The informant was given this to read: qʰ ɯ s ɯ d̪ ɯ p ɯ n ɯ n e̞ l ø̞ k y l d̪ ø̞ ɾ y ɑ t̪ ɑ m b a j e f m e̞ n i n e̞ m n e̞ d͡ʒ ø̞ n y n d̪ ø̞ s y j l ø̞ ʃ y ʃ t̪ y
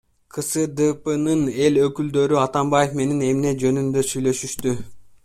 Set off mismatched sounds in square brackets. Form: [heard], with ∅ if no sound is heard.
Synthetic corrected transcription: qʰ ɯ s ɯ d̪ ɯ p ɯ n ɯ n e̞ l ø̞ k y l d̪ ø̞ ɾ y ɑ t̪ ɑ m b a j e f m e̞ n i n e̞ m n e̞ d͡ʒ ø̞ n y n d̪ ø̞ s y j l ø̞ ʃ y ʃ t̪ y